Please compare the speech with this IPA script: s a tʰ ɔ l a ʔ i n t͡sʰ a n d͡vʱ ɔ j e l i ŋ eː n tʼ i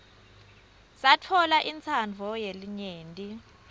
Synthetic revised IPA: s a tʰ ɔ l a ʔ i n t͡sʰ a n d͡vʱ ɔ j e l i ɲ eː n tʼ i